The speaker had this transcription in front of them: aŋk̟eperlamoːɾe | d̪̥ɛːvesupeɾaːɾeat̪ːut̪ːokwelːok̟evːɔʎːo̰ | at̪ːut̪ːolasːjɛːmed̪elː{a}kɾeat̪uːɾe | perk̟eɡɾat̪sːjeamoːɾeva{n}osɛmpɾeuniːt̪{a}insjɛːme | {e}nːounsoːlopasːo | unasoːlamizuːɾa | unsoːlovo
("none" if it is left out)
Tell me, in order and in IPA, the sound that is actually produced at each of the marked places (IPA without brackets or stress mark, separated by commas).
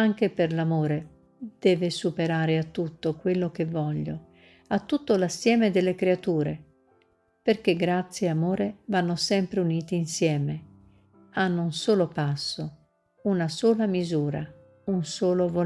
e, nː, i, a